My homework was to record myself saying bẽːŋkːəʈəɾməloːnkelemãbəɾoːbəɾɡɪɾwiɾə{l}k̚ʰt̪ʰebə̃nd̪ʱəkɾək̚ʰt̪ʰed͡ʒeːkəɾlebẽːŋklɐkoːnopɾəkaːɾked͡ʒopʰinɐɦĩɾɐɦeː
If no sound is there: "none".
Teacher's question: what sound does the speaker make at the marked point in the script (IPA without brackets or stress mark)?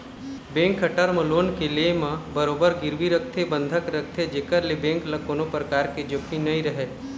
none